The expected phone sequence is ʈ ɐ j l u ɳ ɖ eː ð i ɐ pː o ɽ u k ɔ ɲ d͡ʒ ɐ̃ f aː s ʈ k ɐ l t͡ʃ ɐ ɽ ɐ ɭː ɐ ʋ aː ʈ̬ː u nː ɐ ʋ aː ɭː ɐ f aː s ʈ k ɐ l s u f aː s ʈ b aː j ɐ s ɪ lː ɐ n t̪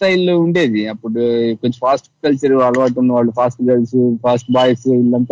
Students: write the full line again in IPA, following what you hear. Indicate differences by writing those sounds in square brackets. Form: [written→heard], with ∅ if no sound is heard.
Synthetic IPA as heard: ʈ ɐ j l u ɳ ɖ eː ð i ɐ pː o ɽ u k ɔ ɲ d͡ʒ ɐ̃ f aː s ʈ k ɐ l t͡ʃ ɐ [ɽ→ɾ] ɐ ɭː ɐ ʋ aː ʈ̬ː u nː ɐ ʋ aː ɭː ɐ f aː s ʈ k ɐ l s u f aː s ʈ b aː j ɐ s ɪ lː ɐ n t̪